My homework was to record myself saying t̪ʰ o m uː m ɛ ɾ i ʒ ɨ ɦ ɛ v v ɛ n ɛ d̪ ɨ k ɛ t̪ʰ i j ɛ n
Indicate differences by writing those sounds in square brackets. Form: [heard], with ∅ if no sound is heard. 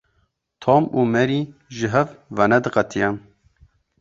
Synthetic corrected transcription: t̪ʰ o m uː m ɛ ɾ i ʒ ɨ ɦ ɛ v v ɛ n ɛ d̪ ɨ [q] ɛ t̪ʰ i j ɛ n